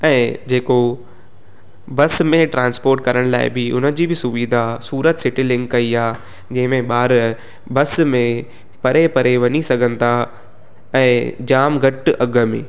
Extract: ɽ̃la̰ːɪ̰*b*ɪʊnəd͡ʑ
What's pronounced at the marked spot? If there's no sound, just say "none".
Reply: b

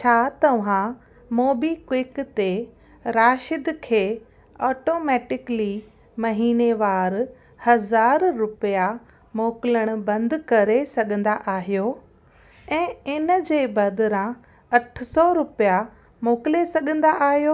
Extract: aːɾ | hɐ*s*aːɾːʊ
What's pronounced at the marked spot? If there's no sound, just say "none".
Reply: z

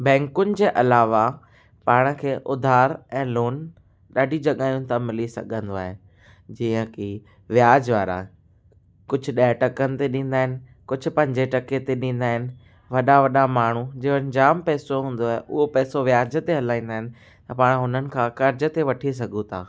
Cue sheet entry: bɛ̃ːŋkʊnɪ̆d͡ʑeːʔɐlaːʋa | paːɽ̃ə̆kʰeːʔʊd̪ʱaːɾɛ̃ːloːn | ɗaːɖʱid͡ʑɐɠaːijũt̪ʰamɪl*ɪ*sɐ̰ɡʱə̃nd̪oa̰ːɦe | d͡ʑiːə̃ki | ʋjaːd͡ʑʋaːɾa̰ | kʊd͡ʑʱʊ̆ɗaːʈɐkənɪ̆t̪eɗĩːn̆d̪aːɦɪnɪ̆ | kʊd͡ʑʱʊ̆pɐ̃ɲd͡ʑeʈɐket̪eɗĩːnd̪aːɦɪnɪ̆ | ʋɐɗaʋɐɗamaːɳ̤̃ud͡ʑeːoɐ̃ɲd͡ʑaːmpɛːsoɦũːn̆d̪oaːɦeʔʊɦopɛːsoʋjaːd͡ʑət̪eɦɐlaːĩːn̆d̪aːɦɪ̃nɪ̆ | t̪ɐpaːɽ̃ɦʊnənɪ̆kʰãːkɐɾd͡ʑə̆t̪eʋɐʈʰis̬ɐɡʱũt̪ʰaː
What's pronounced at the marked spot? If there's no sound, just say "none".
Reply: i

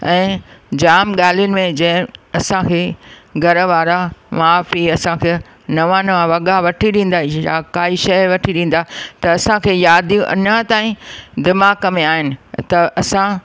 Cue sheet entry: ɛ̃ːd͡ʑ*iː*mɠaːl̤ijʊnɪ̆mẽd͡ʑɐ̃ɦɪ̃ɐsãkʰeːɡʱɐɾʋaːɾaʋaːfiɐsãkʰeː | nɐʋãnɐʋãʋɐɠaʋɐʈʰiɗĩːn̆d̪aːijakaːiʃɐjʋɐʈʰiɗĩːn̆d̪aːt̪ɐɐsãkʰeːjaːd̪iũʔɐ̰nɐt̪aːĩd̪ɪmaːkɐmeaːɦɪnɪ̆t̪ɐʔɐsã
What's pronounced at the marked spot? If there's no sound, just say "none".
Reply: aː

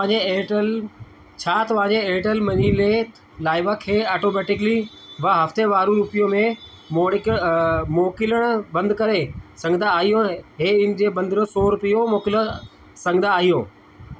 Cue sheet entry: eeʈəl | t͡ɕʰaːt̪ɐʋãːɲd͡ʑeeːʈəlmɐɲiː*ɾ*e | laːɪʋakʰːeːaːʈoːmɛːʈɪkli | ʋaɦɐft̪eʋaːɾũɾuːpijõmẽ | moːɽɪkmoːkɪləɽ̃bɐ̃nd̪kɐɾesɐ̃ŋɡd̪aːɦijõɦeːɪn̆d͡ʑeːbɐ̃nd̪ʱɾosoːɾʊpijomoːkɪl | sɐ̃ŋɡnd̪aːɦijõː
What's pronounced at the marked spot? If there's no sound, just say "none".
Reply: l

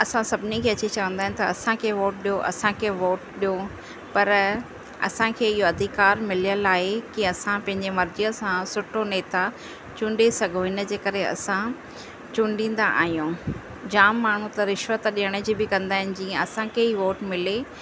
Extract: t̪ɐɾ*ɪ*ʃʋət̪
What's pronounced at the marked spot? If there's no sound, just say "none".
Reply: ɪ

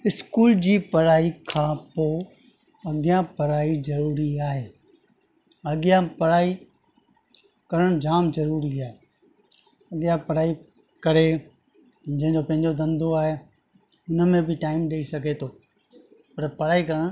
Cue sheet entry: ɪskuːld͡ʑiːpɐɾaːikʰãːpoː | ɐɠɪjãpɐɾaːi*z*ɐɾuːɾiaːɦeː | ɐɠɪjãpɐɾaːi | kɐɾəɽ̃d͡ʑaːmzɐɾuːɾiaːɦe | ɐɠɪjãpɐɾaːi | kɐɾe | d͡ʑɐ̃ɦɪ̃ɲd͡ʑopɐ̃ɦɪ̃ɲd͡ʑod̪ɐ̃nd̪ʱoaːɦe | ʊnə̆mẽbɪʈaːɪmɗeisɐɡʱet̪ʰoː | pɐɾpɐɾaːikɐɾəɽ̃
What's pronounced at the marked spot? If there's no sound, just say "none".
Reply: z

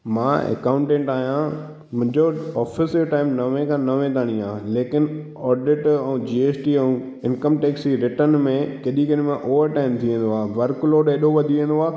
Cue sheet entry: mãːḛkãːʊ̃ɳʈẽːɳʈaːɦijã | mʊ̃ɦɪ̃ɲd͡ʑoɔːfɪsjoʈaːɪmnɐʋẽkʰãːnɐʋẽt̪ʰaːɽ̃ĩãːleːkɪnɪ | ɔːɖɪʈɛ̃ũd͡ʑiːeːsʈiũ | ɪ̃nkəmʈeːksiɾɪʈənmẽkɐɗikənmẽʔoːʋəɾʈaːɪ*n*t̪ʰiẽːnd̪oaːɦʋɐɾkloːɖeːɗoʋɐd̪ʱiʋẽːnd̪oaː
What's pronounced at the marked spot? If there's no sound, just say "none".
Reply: m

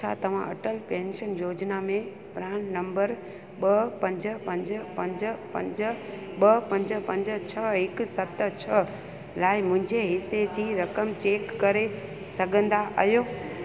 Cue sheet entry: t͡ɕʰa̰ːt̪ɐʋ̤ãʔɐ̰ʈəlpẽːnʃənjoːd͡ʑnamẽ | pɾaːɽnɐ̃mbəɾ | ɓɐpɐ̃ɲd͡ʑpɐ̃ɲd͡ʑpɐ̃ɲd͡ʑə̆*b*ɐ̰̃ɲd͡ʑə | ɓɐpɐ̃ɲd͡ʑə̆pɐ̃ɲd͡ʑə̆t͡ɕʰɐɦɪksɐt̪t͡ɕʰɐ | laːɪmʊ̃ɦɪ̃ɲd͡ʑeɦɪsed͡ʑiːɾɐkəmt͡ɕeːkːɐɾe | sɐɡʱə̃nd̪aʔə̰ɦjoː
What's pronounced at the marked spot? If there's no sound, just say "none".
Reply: p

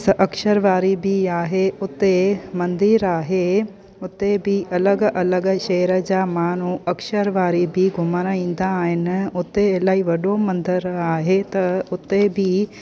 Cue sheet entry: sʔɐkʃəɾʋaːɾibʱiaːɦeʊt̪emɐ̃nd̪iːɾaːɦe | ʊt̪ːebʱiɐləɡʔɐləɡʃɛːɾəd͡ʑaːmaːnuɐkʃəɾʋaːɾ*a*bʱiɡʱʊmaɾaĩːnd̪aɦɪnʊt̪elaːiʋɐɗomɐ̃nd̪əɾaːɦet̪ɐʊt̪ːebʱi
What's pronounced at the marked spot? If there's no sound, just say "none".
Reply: i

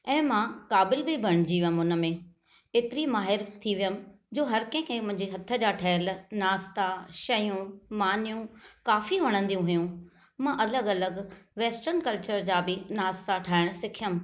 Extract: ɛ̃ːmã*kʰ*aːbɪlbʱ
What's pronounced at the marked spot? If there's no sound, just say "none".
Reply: k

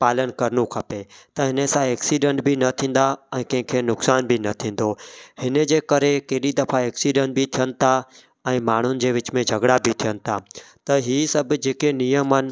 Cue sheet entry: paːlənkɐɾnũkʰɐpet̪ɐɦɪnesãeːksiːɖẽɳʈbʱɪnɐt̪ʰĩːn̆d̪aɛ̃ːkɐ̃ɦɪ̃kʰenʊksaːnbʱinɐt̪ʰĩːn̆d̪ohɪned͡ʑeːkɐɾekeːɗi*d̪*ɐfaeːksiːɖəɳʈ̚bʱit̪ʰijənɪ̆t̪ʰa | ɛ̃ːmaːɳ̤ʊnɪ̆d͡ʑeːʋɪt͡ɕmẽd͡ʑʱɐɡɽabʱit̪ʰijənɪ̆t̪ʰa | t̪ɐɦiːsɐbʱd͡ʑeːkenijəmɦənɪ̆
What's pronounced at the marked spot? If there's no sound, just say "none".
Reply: d̪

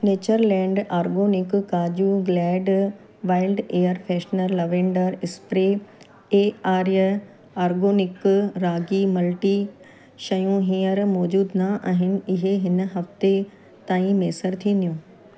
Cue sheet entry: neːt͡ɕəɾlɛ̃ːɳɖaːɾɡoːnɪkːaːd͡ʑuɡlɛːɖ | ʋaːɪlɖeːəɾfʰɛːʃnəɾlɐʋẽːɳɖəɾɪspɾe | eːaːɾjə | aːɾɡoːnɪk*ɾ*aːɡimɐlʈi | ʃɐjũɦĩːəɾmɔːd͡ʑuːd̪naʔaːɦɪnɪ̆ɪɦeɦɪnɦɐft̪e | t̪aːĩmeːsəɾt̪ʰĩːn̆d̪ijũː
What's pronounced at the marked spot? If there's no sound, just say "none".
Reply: ɾ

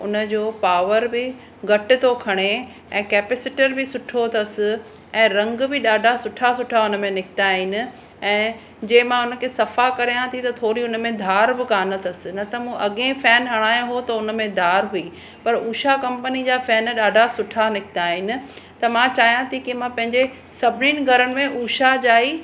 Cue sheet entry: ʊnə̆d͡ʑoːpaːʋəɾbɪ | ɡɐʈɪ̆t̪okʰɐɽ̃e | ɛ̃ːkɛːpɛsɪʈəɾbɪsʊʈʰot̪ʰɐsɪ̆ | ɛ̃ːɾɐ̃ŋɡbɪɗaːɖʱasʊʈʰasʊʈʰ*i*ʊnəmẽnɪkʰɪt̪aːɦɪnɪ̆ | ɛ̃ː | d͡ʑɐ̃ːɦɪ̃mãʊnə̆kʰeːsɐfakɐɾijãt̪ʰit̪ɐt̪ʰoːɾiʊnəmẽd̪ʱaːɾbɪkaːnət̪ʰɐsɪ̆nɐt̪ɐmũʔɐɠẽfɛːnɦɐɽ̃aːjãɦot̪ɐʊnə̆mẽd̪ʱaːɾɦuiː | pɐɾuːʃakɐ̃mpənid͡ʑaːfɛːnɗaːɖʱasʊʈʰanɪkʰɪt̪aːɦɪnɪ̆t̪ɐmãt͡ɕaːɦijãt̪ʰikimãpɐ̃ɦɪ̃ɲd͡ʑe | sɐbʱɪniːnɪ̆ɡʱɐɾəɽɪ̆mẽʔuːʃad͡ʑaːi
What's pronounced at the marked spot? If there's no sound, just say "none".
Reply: a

